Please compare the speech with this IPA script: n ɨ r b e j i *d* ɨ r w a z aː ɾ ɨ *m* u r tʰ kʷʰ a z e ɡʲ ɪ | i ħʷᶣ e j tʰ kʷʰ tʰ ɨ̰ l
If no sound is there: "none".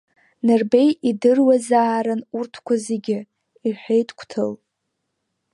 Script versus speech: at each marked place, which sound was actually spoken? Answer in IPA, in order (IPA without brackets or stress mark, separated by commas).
d, n